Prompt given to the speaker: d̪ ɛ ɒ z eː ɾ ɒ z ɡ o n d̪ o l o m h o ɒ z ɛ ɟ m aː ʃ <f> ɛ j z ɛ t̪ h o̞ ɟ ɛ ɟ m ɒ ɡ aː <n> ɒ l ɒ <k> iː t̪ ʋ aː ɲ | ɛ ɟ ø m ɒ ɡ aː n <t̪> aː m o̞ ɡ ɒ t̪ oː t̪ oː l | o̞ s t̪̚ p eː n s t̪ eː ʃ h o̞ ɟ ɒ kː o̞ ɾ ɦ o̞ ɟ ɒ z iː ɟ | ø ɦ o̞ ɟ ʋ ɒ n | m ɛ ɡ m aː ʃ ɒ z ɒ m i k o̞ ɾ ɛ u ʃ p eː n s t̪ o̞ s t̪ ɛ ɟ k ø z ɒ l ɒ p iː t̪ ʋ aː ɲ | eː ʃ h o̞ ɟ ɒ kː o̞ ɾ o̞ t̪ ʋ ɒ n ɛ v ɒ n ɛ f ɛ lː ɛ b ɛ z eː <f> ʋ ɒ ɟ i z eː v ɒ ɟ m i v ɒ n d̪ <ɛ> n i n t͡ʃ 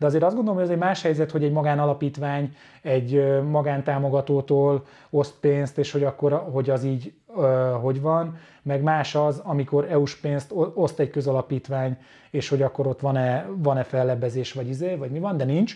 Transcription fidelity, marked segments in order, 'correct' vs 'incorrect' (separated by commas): incorrect, correct, incorrect, correct, incorrect, correct